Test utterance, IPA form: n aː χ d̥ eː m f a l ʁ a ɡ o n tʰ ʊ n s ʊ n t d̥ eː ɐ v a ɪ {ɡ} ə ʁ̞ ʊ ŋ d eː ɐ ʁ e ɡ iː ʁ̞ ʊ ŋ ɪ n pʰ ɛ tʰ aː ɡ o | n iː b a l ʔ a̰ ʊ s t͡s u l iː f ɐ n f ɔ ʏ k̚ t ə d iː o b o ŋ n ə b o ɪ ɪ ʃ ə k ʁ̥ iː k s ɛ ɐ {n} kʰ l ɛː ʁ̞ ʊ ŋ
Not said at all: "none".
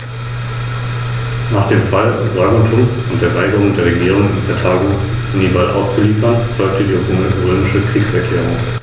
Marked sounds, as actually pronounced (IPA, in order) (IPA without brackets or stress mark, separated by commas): ɡ, none